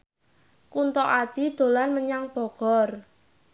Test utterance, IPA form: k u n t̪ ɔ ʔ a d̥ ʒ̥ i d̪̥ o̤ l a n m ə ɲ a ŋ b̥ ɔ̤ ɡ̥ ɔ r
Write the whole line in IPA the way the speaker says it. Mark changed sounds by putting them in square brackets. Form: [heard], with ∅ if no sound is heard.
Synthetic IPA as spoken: k u n t̪ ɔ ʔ a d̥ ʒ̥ i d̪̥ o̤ l a n m ə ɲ a ŋ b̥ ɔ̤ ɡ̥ ɔ r